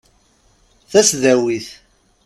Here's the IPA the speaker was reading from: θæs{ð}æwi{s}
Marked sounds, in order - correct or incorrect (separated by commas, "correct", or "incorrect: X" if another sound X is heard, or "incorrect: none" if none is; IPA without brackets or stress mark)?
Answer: correct, incorrect: θ